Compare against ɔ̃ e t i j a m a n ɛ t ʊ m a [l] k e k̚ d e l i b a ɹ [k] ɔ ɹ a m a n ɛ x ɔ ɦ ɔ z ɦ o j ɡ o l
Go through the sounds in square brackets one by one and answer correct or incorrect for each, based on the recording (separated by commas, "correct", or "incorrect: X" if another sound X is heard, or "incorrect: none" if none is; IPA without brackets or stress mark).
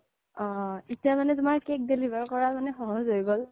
incorrect: ɹ, correct